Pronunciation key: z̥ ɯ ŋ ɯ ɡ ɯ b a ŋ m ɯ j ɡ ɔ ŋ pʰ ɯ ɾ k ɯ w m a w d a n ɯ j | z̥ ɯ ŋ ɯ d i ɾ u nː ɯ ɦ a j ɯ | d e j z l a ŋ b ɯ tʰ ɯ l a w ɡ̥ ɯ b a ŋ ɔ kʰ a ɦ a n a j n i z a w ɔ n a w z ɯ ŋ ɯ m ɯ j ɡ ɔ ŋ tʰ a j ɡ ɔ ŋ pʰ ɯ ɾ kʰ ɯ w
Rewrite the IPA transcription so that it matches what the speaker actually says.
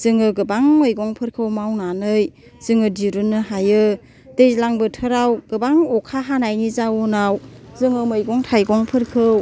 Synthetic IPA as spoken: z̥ ɯ ŋ ɯ ɡ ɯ b a ŋ m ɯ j ɡ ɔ ŋ pʰ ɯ ɾ kʰ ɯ w m a w n a n ɯ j | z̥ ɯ ŋ ɯ d i ɾ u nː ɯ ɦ a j ɯ | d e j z l a ŋ b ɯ tʰ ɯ ɾ a w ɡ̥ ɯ b a ŋ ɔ kʰ a ɦ a n a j n i z a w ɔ n a w z ɯ ŋ ɯ m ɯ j ɡ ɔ ŋ tʰ a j ɡ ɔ ŋ pʰ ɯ ɾ kʰ ɯ w